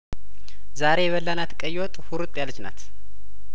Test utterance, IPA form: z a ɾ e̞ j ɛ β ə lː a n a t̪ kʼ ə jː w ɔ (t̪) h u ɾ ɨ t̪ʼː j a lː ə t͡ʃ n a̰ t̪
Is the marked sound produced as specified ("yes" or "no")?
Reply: no